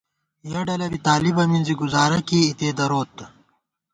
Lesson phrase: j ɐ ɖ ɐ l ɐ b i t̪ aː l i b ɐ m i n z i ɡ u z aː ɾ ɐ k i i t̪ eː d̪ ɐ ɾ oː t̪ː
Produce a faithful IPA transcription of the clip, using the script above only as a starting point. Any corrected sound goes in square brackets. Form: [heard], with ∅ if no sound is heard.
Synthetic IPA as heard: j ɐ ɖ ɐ l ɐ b i t̪ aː l i b ɐ m i n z i ɡ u z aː ɾ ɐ k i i t̪ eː d̪ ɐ ɾ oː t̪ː